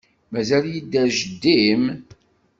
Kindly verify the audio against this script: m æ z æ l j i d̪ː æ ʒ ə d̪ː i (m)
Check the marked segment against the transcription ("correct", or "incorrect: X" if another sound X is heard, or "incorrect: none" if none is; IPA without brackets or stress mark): correct